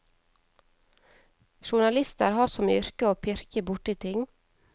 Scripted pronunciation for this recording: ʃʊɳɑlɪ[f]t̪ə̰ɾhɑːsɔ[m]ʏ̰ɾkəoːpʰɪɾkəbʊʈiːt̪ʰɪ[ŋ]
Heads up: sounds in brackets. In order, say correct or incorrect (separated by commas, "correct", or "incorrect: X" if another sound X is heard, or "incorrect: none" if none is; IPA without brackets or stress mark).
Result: incorrect: s, correct, correct